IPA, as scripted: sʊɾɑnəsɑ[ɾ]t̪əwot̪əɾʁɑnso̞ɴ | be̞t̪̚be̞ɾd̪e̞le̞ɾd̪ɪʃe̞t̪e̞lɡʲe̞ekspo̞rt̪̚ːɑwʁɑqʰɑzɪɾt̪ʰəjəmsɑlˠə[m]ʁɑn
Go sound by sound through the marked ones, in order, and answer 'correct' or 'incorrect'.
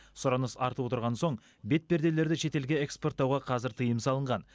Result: correct, incorrect

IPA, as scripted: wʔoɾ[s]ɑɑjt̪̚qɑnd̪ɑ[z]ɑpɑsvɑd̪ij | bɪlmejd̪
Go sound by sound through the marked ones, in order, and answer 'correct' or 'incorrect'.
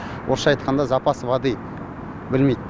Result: incorrect, correct

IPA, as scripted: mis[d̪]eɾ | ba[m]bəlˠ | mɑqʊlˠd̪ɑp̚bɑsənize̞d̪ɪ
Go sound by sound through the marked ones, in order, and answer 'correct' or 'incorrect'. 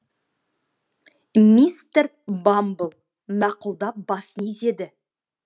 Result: incorrect, correct

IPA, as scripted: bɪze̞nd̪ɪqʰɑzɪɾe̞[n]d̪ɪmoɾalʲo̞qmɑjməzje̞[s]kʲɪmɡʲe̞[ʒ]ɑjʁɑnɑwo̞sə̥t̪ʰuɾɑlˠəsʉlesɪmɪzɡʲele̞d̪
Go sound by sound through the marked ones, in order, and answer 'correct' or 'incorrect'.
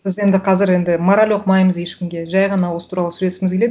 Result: correct, incorrect, correct

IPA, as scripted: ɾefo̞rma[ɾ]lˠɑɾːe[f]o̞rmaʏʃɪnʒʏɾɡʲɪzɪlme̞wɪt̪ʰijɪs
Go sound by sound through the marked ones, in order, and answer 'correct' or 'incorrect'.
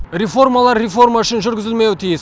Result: incorrect, correct

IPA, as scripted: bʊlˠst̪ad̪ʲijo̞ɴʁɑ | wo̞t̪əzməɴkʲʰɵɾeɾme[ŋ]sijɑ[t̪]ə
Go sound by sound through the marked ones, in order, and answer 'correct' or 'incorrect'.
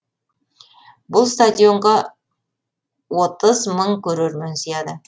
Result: incorrect, incorrect

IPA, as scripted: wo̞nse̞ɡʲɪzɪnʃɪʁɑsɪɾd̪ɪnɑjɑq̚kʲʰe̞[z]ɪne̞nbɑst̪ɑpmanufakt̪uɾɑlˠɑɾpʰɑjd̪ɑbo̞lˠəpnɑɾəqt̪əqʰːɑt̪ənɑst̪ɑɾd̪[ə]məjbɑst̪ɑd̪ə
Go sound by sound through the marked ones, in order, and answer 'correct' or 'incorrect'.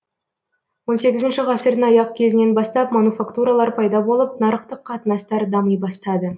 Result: correct, incorrect

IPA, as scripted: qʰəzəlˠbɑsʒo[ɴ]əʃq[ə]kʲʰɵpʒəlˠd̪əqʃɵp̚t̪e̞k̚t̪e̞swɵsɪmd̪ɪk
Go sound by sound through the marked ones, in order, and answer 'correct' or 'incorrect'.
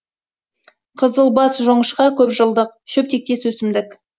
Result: correct, incorrect

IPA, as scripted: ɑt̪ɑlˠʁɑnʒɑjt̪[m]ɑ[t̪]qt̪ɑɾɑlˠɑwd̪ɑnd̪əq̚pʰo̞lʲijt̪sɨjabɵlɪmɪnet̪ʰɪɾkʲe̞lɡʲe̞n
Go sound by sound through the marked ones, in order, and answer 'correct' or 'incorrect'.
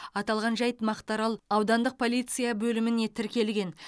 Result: correct, incorrect

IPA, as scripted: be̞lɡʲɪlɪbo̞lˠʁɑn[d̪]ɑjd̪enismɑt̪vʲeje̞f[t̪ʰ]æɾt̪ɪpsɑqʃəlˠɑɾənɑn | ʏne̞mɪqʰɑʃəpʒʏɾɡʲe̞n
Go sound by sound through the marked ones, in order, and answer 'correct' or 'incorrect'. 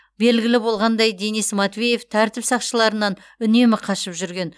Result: correct, correct

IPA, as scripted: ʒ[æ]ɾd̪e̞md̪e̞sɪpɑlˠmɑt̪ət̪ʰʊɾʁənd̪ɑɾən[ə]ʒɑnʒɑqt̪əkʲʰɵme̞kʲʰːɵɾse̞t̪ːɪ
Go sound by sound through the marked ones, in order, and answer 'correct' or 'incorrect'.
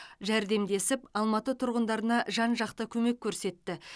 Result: correct, incorrect

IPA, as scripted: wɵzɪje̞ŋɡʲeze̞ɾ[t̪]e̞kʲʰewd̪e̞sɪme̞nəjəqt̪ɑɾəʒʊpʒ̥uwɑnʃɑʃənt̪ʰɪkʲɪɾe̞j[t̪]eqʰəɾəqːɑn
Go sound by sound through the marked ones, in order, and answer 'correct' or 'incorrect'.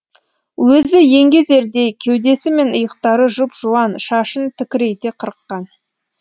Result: incorrect, correct

